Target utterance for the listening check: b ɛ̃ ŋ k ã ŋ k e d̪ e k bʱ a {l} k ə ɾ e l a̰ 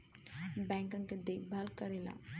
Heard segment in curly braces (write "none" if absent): l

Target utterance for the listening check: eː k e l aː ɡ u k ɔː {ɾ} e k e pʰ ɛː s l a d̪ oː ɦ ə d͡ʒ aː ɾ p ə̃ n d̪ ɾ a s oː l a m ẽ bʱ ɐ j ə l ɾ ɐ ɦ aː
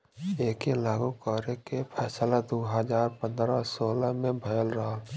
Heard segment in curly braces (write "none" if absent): ɾ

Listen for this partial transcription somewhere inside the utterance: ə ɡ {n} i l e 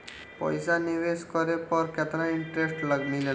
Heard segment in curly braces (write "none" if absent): n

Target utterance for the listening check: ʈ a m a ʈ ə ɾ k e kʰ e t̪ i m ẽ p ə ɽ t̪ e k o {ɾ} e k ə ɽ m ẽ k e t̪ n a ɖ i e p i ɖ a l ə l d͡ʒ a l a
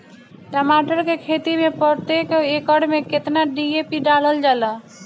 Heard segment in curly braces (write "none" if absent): none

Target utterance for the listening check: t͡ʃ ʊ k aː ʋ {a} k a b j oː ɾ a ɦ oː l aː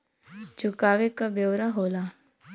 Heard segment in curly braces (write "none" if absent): e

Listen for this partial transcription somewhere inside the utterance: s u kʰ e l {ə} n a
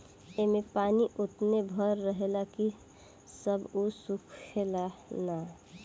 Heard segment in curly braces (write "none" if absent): a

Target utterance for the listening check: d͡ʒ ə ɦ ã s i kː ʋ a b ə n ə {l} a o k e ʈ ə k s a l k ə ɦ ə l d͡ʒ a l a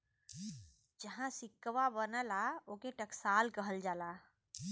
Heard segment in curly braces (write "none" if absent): l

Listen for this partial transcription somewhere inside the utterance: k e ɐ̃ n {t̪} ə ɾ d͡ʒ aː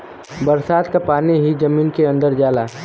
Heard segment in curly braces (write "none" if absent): d̪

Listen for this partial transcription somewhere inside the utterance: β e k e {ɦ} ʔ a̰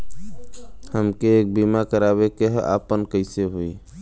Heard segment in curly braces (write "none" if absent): ɦ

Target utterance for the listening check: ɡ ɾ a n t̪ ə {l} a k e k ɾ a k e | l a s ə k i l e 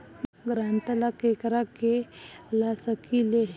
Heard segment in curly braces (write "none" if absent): l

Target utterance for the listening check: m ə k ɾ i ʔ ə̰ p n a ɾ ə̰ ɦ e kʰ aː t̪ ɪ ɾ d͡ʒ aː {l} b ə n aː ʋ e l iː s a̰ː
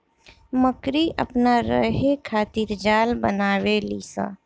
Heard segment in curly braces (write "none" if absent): l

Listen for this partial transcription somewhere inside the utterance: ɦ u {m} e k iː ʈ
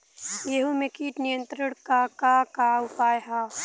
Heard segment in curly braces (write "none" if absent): m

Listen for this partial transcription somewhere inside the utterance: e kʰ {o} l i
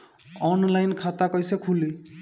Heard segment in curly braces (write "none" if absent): u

